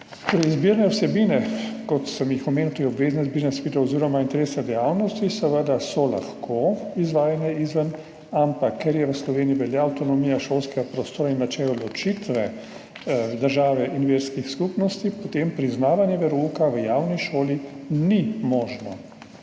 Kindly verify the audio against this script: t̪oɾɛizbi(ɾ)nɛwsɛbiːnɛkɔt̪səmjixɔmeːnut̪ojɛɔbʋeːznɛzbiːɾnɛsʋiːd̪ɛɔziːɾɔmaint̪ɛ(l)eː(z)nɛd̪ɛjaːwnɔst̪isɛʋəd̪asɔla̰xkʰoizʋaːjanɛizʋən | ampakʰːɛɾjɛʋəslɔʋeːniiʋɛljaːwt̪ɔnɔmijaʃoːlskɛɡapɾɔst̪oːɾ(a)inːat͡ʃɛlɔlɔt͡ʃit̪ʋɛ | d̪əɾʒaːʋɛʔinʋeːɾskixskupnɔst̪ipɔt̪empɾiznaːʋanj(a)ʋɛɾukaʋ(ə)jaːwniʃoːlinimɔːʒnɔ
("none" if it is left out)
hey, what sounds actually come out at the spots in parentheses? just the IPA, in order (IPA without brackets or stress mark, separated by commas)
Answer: ɾ, ɾ, s, a, ɛ, ə